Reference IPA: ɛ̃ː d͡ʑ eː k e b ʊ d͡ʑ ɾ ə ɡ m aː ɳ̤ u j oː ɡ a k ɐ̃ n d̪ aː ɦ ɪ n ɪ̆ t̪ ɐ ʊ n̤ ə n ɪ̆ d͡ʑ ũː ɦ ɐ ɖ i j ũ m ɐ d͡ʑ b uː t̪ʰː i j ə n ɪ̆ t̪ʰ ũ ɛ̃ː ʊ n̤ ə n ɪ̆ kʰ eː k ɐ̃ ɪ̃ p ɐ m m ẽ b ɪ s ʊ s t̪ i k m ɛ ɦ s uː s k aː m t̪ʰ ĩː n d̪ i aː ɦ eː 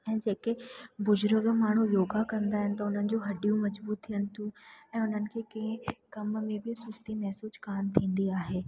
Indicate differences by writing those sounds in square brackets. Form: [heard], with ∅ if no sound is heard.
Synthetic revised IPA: ɛ̃ː d͡ʑ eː k e b ʊ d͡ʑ ɾ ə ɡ m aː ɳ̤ u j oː ɡ a k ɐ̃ n d̪ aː ɦ ɪ n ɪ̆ t̪ ɐ ʊ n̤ ə n ɪ̆ d͡ʑ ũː ɦ ɐ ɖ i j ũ m ɐ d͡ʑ b uː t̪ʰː i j ə n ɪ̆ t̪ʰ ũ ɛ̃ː ʊ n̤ ə n ɪ̆ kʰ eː k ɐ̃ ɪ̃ [k] ɐ m m ẽ b ɪ s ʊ s t̪ i [∅] m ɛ ɦ s uː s k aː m t̪ʰ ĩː n d̪ i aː ɦ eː